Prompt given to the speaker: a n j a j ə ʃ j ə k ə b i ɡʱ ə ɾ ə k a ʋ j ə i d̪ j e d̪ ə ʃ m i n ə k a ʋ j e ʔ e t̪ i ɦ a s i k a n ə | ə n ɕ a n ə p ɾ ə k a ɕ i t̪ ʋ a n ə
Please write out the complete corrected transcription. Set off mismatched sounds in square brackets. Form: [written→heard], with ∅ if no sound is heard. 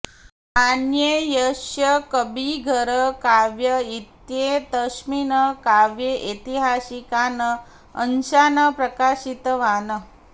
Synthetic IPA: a n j [a→e] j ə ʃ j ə k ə b i ɡʱ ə ɾ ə k a ʋ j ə i [d̪→t̪] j e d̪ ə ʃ m i n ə k a ʋ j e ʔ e t̪ i ɦ a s i k a n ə | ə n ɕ a n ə p ɾ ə k a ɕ i t̪ ʋ a n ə